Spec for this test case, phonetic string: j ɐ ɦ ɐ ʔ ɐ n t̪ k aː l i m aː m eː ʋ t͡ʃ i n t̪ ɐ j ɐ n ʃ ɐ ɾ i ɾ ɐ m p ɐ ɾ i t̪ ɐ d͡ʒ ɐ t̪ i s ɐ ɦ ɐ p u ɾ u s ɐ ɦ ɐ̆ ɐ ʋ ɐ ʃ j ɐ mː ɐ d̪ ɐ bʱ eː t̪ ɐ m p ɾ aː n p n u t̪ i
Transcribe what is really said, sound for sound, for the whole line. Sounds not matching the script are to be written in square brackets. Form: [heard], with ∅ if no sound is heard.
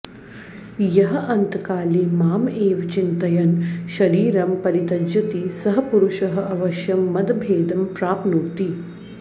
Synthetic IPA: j ɐ ɦ ɐ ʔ ɐ n t̪ k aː l i m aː m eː ʋ t͡ʃ i n t̪ ɐ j ɐ n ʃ ɐ ɾ [iː] ɾ ɐ m p ɐ ɾ i t̪ ɐ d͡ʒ ɐ t̪ i s ɐ ɦ ɐ p u ɾ u [ʃ] ɐ ɦ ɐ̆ ɐ ʋ ɐ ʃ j ɐ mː ɐ d̪ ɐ bʱ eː [d̪] ɐ m p ɾ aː [∅] p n u t̪ i